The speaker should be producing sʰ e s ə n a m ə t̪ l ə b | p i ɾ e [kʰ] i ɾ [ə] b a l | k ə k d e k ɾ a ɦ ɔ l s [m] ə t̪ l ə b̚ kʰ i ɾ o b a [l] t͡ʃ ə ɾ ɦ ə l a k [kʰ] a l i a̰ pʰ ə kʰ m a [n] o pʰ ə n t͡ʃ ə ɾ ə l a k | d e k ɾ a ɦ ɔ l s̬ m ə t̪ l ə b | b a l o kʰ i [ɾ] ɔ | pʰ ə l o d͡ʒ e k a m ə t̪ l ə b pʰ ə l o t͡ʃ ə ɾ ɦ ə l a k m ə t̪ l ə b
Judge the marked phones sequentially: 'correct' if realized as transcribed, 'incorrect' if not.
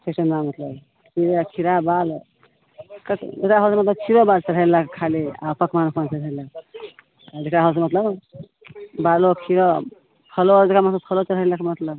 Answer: correct, incorrect: a, correct, correct, correct, correct, correct

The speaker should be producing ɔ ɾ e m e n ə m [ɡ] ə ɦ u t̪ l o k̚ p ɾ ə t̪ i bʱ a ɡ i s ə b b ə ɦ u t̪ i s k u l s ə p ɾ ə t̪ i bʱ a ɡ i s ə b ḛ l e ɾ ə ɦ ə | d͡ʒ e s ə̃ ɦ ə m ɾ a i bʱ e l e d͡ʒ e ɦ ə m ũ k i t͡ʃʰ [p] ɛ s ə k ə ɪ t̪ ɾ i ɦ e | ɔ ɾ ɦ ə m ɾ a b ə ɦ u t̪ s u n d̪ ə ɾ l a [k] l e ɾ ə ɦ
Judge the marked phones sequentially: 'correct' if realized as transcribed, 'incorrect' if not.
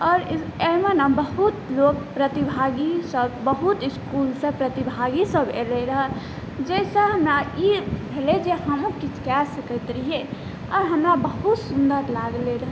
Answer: incorrect: b, incorrect: k, incorrect: ɡ

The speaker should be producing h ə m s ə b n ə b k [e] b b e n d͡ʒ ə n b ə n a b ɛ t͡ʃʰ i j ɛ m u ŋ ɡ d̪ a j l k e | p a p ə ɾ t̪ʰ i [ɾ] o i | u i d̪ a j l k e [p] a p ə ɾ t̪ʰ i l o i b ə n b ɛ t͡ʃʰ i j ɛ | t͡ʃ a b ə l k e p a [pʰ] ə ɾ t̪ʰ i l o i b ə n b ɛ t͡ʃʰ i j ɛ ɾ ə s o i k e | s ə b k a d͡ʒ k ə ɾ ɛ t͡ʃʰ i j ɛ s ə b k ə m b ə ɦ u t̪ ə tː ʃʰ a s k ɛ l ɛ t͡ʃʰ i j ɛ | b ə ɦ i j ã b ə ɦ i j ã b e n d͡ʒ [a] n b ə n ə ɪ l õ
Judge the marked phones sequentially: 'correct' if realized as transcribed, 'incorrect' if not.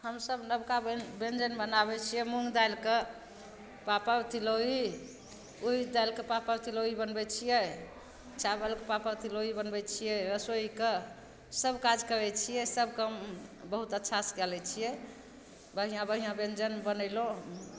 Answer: incorrect: a, incorrect: l, correct, incorrect: p, incorrect: ə

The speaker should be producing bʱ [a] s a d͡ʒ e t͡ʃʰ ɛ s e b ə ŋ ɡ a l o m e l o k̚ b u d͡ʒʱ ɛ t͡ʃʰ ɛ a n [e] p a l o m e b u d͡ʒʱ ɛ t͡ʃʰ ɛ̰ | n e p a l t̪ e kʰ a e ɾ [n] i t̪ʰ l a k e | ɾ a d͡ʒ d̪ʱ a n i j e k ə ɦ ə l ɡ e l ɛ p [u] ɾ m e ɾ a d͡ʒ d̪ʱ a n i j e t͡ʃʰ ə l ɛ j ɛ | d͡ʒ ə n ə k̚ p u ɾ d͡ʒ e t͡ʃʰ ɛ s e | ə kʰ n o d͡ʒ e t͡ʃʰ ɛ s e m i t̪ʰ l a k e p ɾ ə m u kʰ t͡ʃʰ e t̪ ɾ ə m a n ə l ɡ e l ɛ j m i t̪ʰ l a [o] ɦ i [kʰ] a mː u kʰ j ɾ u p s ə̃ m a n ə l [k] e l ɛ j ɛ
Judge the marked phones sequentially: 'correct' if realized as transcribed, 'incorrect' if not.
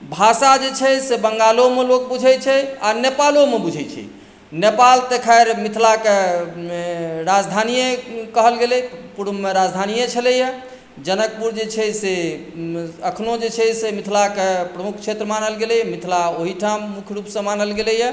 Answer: correct, correct, incorrect: m, correct, correct, incorrect: ʈʰ, incorrect: ɡ

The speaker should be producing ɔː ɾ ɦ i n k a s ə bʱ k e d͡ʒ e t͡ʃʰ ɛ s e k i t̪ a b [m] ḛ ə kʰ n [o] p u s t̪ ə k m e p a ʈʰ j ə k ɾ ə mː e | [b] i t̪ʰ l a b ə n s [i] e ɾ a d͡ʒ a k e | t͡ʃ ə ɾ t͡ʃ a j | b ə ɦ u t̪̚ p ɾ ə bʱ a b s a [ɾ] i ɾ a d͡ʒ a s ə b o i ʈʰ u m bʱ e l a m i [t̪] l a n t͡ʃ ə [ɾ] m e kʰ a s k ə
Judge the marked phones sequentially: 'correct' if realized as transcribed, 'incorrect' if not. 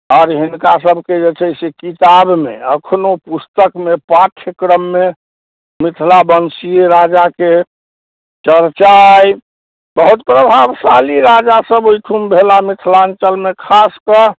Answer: correct, correct, incorrect: m, correct, incorrect: l, incorrect: t̪ʰ, incorrect: l

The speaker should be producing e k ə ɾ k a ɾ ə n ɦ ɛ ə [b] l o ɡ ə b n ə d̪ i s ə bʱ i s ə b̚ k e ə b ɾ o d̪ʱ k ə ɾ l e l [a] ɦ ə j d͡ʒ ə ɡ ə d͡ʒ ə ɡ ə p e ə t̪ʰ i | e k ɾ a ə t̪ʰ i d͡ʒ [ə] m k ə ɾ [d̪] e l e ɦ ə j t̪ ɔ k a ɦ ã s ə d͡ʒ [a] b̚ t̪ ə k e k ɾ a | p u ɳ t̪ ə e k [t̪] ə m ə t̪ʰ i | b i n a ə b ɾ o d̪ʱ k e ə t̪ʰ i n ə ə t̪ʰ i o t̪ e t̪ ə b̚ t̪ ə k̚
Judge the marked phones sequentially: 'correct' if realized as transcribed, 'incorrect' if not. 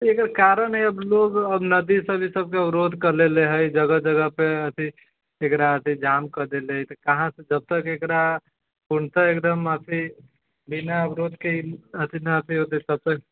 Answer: correct, incorrect: e, incorrect: a, correct, incorrect: ə, incorrect: d̪

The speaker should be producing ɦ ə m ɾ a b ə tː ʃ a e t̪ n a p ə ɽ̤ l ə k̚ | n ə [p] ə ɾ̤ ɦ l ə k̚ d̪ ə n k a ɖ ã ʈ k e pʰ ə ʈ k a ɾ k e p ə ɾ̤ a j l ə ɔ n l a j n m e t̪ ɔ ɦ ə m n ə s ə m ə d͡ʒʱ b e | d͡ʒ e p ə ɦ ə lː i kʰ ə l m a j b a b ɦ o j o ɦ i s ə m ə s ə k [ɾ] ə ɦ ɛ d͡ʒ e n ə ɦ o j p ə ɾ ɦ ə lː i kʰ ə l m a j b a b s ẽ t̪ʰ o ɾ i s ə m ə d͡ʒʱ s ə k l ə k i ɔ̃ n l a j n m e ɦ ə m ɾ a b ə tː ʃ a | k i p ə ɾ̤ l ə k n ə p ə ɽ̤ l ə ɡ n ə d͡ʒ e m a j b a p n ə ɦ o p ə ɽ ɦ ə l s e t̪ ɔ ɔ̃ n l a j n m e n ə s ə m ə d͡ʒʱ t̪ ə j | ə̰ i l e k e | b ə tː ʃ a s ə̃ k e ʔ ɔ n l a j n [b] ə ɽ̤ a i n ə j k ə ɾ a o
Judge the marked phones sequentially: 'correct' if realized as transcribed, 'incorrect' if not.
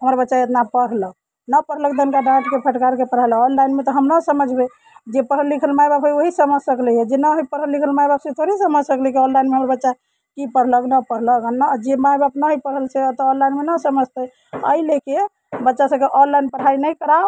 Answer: correct, incorrect: l, incorrect: p

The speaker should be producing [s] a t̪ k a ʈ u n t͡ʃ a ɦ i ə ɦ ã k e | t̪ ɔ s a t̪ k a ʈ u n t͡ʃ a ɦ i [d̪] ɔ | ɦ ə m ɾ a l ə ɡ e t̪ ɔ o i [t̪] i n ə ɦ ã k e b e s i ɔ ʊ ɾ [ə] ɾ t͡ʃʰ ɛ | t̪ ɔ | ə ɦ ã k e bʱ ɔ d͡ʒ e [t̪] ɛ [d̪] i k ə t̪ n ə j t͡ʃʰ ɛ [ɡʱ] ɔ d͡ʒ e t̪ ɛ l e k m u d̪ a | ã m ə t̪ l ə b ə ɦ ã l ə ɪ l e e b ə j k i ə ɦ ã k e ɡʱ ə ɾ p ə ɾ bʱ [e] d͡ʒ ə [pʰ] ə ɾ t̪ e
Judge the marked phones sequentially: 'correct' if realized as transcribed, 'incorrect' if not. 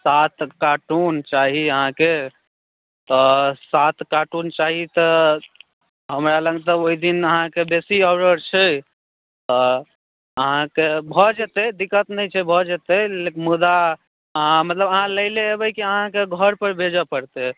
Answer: correct, incorrect: t̪, incorrect: d̪, correct, correct, correct, incorrect: bʱ, correct, incorrect: p

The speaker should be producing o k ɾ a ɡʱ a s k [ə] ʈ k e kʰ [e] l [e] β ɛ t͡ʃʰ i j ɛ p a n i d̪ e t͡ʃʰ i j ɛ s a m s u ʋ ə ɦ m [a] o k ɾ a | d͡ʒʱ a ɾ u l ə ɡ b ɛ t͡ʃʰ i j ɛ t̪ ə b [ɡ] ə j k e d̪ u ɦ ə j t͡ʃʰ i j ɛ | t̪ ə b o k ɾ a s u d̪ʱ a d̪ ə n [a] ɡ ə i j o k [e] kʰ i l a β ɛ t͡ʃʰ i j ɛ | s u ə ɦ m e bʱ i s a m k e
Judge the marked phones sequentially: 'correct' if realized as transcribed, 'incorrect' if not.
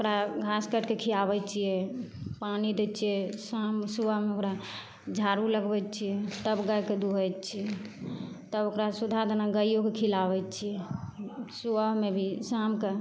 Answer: correct, incorrect: i, incorrect: a, incorrect: e, correct, correct, correct

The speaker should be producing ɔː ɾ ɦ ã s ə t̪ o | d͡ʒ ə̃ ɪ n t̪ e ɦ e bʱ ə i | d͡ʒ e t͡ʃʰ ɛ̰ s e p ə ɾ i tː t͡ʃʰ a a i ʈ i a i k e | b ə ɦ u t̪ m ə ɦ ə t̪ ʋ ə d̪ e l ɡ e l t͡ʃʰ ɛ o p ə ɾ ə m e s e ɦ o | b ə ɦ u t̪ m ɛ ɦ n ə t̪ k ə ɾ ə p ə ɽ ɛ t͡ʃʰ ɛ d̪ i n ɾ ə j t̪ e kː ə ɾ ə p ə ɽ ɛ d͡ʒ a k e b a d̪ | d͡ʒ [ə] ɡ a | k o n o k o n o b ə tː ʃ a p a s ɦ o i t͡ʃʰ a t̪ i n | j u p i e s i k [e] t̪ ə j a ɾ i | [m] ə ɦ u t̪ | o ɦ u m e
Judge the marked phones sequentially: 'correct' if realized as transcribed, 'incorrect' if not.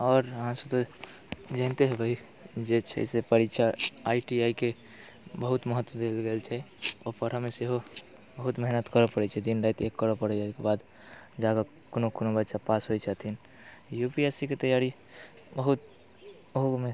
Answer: incorrect: a, correct, incorrect: b

